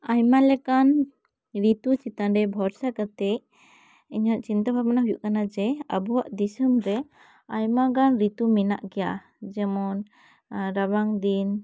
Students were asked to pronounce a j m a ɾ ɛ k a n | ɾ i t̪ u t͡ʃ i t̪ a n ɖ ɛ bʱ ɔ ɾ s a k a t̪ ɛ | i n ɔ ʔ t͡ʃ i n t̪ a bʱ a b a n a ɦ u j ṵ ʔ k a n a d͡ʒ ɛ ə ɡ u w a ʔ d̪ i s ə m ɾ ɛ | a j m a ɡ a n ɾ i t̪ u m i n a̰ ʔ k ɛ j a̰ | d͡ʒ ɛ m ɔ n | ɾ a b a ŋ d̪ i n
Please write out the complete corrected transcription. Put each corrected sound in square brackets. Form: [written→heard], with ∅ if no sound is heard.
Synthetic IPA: a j m a [ɾ→l] ɛ k a n | ɾ i t̪ u t͡ʃ i t̪ a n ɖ ɛ bʱ ɔ ɾ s a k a t̪ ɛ | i [n→ɲ] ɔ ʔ t͡ʃ i n t̪ a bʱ a b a n a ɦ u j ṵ ʔ k a n a d͡ʒ ɛ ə [ɡ→b] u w a ʔ d̪ i s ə m ɾ ɛ | a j m a ɡ a n ɾ i t̪ u m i n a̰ ʔ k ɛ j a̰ | d͡ʒ ɛ m ɔ n | ɾ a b a ŋ d̪ i n